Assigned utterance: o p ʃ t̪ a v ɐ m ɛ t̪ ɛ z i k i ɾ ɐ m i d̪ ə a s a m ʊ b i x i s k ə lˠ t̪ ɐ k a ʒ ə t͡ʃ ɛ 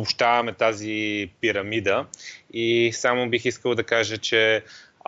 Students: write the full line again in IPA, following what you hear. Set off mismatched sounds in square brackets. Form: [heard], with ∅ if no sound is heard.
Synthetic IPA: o p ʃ t̪ a v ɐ m ɛ t̪ [a] z i [p] i ɾ ɐ m i d̪ ə [i] s a m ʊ b i x i s k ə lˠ [d̪] ɐ k a ʒ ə t͡ʃ ɛ